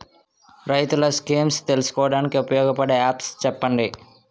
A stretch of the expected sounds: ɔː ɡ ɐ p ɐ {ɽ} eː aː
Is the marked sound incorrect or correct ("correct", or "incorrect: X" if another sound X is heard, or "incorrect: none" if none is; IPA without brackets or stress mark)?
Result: correct